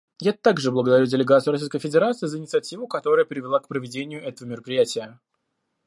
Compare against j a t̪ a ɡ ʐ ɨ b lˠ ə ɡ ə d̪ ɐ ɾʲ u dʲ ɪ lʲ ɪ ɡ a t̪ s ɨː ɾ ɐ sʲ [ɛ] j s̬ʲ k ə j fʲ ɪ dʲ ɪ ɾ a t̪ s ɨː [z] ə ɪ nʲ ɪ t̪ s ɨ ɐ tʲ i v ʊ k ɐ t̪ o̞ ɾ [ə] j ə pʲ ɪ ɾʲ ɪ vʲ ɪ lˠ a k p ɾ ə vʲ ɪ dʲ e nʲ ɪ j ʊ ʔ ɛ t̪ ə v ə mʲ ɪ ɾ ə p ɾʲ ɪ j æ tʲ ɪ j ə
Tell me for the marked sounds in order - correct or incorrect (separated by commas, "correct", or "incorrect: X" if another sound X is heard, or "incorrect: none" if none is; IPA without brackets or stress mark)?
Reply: incorrect: i, correct, correct